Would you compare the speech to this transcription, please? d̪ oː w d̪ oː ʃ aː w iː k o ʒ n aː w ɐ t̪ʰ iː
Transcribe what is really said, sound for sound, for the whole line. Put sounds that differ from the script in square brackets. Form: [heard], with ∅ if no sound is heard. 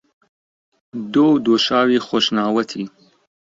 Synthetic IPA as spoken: d̪ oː w d̪ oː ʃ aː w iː [x] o [ʃ] n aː w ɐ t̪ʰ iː